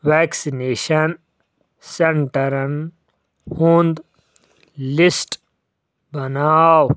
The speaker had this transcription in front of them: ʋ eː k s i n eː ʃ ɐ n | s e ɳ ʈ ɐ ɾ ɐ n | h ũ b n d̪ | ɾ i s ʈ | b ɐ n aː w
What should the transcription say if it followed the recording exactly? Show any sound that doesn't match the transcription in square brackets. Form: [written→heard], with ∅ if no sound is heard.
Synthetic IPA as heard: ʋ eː k s i n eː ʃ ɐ n | s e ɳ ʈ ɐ ɾ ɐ n | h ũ [b→∅] n d̪ | [ɾ→l] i s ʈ | b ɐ n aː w